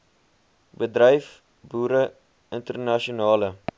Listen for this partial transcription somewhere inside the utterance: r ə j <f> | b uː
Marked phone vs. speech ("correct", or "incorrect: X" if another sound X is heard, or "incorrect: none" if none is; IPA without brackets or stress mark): correct